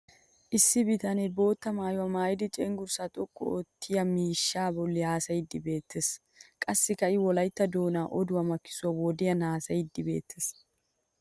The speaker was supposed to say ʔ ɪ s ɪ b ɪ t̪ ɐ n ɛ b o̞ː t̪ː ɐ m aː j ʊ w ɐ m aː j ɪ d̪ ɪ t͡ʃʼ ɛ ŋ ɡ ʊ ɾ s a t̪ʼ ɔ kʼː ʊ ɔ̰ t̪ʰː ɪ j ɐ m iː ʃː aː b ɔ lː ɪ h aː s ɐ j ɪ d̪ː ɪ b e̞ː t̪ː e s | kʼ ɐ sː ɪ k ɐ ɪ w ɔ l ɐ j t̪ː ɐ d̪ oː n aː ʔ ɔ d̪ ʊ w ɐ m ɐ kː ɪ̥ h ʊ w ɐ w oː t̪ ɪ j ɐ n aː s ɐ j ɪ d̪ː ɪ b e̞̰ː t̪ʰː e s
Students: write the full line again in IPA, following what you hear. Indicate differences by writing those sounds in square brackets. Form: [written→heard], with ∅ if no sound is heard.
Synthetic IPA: ʔ ɪ [s→sː] ɪ b ɪ t̪ ɐ n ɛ b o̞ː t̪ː ɐ m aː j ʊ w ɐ m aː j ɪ d̪ ɪ t͡ʃʼ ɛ ŋ ɡ ʊ ɾ s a t̪ʼ ɔ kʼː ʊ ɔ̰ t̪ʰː ɪ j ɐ m iː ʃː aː b ɔ lː ɪ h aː s ɐ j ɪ d̪ː ɪ b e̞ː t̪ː e s | kʼ ɐ sː ɪ k ɐ ɪ w ɔ l ɐ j t̪ː ɐ d̪ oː n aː ʔ ɔ d̪ ʊ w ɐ m ɐ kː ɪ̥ [h→s] ʊ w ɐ w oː [t̪→d̪] ɪ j ɐ n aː s ɐ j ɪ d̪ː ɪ b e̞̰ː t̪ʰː e s